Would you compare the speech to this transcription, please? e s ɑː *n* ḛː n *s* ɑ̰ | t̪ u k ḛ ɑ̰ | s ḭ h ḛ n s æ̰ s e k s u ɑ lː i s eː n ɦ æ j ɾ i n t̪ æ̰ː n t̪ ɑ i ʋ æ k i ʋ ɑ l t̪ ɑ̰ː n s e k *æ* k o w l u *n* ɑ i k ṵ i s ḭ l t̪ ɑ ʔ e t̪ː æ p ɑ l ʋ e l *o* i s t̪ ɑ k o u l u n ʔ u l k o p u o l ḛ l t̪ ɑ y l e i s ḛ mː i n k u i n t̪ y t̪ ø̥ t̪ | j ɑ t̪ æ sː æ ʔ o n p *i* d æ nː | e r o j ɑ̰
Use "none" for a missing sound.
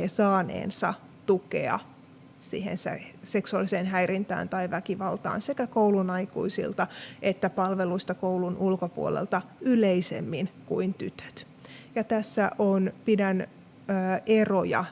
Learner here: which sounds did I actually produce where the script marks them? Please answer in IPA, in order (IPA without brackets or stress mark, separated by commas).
n, s, æ, n, u, i